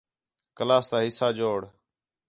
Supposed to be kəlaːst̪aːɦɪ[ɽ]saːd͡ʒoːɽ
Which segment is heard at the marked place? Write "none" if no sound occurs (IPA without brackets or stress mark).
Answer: none